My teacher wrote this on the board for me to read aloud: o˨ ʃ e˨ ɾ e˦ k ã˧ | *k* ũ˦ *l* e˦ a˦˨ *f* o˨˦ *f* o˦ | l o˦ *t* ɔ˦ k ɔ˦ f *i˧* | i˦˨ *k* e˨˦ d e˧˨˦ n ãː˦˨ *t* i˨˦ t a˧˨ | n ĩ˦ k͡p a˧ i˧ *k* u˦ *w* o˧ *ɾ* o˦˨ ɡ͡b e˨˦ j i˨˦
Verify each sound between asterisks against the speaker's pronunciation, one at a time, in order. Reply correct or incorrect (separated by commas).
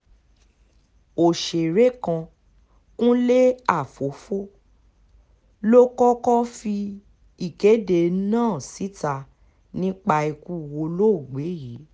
correct, correct, correct, correct, incorrect, correct, correct, incorrect, correct, correct, incorrect